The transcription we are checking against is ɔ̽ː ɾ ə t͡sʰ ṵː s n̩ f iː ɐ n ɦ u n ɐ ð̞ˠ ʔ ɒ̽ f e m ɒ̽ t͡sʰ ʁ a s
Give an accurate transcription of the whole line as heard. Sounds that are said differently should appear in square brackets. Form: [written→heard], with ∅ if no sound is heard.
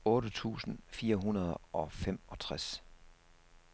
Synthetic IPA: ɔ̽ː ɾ ə t͡sʰ ṵː s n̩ f iː ɐ [n→∅] ɦ u n ɐ ð̞ˠ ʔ ɒ̽ f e m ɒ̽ t͡sʰ ʁ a s